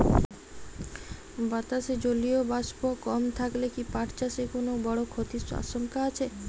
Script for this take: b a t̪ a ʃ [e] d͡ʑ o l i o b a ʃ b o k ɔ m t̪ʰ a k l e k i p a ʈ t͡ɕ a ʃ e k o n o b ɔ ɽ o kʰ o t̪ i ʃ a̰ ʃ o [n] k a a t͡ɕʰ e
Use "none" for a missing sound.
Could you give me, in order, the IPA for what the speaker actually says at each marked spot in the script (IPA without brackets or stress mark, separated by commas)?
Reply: e, ŋ